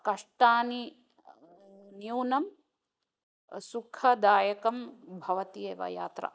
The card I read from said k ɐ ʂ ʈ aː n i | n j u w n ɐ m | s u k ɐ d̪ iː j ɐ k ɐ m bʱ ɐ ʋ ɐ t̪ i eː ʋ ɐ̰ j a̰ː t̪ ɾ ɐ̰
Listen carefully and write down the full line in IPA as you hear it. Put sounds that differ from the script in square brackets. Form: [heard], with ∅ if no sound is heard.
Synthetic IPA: k ɐ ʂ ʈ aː n i | n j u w n ɐ m | s u [kʰ] ɐ d̪ [aː] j ɐ k ɐ m bʱ ɐ ʋ ɐ t̪ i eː ʋ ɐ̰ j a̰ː t̪ ɾ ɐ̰